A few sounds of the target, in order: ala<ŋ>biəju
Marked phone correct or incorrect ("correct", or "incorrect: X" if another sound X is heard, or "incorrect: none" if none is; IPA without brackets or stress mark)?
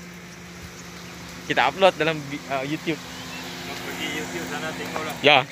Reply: incorrect: m